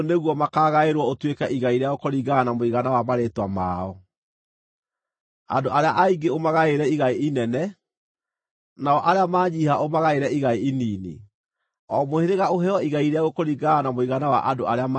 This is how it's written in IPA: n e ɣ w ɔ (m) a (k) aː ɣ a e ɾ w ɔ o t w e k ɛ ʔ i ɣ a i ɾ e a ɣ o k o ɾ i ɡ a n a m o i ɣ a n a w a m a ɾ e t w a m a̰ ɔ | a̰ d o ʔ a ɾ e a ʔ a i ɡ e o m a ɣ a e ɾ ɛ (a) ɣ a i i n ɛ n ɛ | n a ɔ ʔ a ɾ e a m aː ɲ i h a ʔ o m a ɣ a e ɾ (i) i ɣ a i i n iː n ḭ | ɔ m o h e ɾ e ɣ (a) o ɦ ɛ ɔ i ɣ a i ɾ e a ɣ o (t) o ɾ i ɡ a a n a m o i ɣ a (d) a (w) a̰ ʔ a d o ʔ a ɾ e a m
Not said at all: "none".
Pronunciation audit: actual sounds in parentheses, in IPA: m, k, i, ɛ, a, k, n, w

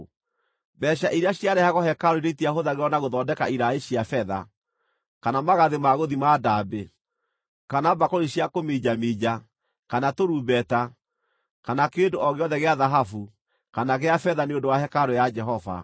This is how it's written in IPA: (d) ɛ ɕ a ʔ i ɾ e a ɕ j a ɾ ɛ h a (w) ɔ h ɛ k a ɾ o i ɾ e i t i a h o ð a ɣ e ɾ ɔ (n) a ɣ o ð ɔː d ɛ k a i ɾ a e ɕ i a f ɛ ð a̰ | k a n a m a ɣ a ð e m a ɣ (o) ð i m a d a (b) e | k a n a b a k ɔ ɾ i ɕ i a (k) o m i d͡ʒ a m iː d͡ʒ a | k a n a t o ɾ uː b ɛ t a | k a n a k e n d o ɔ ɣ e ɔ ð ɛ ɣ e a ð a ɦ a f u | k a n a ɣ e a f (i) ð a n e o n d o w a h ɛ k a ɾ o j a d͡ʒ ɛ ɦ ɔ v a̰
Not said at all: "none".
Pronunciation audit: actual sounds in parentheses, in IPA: b, ɣ, n, o, b, k, ɛ

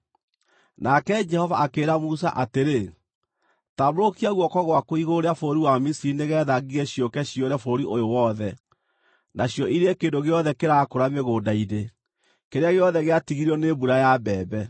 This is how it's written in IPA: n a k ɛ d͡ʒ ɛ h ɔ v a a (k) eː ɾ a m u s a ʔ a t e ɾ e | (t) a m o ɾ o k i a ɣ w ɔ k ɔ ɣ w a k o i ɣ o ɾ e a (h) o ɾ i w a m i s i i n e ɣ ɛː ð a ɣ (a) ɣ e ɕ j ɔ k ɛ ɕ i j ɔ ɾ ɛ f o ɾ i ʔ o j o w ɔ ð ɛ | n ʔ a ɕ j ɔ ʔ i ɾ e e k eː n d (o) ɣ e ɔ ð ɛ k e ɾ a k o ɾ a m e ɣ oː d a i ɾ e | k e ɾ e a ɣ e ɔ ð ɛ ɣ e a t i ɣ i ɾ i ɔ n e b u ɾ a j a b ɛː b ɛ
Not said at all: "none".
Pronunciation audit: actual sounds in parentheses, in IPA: k, t, f, i, o

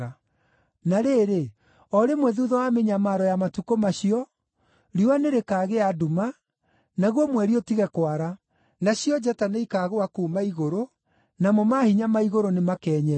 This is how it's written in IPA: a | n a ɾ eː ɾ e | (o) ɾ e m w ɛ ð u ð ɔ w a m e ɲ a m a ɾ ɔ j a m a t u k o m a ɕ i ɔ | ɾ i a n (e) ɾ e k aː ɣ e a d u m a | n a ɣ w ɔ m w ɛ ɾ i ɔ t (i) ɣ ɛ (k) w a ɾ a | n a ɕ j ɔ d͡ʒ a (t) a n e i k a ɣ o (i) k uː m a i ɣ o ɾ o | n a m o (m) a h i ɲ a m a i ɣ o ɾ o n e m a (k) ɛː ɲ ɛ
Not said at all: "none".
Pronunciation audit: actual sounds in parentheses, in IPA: ɔ, e, i, k, t, a, m, k

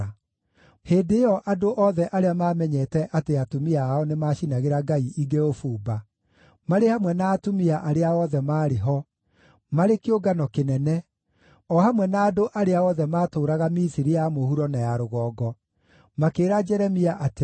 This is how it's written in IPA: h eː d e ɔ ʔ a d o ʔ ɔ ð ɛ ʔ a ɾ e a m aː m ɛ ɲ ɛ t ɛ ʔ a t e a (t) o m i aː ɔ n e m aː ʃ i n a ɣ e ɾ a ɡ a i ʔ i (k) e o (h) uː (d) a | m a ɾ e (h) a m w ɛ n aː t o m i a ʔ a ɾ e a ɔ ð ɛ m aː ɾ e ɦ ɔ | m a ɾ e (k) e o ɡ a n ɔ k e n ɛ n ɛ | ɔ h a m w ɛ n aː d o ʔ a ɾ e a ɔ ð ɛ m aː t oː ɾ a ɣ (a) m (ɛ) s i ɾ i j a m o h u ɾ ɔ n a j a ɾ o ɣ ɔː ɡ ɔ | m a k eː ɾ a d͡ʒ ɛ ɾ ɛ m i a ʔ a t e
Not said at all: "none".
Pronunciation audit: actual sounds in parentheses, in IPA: t, ɡ, f, b, h, k, a, i

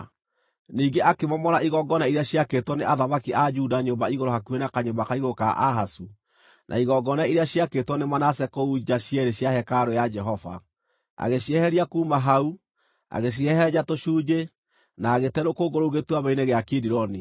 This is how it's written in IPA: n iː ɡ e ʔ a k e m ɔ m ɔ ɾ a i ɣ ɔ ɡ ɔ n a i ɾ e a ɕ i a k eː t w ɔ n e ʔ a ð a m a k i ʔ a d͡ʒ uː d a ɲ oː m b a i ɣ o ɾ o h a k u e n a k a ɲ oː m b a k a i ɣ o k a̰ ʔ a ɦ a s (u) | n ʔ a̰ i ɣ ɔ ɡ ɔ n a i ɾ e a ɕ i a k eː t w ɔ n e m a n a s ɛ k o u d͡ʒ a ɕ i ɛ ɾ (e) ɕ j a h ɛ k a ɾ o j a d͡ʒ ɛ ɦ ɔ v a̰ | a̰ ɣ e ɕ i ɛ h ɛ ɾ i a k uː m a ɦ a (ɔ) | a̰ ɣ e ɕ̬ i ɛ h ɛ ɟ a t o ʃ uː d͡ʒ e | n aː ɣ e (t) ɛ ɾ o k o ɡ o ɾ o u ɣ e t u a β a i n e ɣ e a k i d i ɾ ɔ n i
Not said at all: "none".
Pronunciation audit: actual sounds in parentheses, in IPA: u, e, u, t

